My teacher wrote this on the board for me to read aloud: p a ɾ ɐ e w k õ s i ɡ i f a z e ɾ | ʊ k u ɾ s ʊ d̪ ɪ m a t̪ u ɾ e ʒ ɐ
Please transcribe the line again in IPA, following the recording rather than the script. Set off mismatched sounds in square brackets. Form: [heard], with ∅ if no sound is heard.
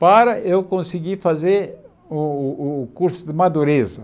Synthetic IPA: p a ɾ ɐ e w k õ s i ɡ i f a z e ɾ | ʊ k u ɾ s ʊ d̪ ɪ m a [d̪] u ɾ e [z] ɐ

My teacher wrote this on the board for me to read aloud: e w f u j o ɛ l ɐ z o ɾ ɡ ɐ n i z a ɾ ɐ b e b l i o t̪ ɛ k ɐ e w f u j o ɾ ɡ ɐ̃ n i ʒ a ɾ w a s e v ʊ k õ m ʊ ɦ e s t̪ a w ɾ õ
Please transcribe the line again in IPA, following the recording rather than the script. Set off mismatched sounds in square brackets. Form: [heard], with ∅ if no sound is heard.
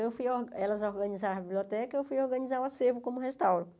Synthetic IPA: e w f u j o ɛ l ɐ z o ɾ ɡ ɐ n i z a ɾ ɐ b [i] b l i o t̪ ɛ k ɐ e w f u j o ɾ ɡ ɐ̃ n i [z] a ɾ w a s e v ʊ k õ m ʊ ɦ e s t̪ a w ɾ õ

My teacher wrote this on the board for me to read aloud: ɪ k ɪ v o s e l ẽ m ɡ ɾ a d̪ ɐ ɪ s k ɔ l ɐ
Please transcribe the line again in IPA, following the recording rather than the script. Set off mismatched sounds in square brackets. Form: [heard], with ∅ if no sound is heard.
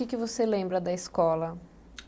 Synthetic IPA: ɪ k ɪ v o s e l ẽ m [b] ɾ [ɐ] d̪ ɐ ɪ s k ɔ l ɐ

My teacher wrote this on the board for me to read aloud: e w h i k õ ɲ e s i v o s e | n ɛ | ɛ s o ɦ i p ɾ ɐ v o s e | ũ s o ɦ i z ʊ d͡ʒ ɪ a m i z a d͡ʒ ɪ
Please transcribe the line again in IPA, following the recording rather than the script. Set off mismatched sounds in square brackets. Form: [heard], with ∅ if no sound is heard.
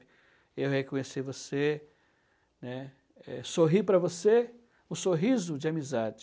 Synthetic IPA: e w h [e] k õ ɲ e s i v o s e | n ɛ | ɛ s o ɦ i p ɾ ɐ v o s e | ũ s o ɦ i z ʊ d͡ʒ ɪ a m i z a d͡ʒ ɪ

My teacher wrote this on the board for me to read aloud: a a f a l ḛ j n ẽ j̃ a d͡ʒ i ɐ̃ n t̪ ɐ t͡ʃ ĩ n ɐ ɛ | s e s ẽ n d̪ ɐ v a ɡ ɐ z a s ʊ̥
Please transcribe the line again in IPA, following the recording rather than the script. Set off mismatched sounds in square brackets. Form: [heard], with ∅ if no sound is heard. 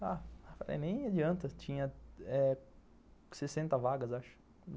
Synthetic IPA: a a f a l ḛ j n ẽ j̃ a d͡ʒ i ɐ̃ n t̪ ɐ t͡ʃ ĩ [ɲ] ɐ ɛ | s e s ẽ n [t̪] ɐ v a ɡ ɐ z a [ʃ] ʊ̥

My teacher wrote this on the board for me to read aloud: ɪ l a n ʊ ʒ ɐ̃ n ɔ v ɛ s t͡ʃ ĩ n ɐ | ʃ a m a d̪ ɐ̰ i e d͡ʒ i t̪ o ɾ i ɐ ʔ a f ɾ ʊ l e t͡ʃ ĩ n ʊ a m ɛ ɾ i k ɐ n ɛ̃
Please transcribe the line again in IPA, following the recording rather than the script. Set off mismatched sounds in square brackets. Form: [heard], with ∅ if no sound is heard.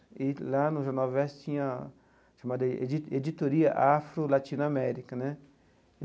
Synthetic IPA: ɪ l a n ʊ ʒ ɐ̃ n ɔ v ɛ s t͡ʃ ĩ [ɲ] ɐ | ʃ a m a d̪ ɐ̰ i e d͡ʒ i t̪ o ɾ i ɐ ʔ a f ɾ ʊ l [a] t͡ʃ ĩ n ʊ a m ɛ ɾ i k ɐ n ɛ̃

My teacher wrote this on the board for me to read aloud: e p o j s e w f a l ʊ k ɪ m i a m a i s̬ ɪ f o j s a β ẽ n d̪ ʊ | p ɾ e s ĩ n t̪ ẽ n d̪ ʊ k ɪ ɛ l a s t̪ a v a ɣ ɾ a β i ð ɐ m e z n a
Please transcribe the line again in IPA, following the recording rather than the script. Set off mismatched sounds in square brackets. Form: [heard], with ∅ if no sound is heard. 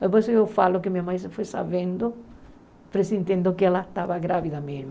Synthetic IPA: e p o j s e w f a l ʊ k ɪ m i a m a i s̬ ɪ f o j s a β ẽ n d̪ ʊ | p ɾ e s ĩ n t̪ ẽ n d̪ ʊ k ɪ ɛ l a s t̪ a [β] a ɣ ɾ a β i ð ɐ m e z [m] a

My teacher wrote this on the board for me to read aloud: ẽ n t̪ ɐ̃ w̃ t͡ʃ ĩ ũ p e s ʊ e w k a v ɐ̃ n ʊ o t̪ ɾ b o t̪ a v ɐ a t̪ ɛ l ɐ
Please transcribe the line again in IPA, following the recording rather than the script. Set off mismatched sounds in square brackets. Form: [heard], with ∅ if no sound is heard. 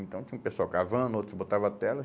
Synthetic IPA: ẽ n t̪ ɐ̃ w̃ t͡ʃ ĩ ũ p e s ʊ [a] w k a v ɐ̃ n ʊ o t̪ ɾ b o t̪ a v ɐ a t̪ ɛ l ɐ

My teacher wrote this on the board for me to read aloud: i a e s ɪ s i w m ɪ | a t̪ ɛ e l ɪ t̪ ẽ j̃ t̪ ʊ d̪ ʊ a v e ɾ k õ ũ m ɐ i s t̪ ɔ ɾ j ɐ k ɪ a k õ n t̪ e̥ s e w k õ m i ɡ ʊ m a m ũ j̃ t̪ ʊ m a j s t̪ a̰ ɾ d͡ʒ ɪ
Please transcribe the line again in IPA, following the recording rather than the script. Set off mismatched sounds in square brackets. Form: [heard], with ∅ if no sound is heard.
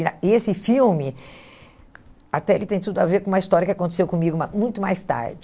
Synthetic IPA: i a e s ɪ [f] i w m ɪ | a t̪ ɛ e l ɪ t̪ ẽ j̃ t̪ [u] d̪ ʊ a v e ɾ k õ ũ m ɐ i s t̪ ɔ ɾ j ɐ k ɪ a k õ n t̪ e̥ s e w k õ m i ɡ ʊ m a m ũ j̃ t̪ ʊ m a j s t̪ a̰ ɾ d͡ʒ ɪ

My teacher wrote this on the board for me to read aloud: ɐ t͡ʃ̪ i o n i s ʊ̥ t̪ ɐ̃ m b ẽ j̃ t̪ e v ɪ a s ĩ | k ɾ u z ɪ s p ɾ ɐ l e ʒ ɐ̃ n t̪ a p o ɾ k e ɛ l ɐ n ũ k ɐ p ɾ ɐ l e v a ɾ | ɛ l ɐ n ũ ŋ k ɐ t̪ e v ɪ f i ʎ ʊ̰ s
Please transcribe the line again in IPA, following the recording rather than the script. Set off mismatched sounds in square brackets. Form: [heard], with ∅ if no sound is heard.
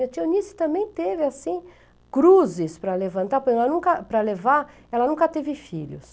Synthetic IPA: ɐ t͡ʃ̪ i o n i s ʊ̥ t̪ ɐ̃ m b ẽ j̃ t̪ e v ɪ a s ĩ | k ɾ u z ɪ s p ɾ ɐ l e [v] ɐ̃ n t̪ a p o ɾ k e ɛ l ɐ n ũ k ɐ p ɾ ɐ l e v a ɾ | ɛ l ɐ n ũ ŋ k ɐ t̪ e v ɪ f i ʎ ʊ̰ s

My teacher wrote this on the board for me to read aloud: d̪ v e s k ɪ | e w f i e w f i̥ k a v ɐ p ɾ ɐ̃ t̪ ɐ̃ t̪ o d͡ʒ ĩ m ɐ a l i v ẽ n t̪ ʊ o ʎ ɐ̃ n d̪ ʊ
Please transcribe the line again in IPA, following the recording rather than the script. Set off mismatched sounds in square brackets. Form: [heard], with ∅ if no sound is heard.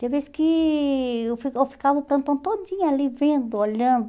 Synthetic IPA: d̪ v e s k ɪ | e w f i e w f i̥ k a v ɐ p ɾ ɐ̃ t̪ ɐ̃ t̪ o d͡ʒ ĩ [ɲ] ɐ a l i v ẽ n [d̪] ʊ o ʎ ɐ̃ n d̪ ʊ

